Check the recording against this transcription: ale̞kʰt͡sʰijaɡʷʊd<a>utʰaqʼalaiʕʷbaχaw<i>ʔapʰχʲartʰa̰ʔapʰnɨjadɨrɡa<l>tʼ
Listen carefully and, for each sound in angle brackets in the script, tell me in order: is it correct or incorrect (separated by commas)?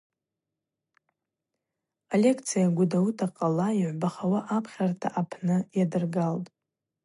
correct, incorrect, correct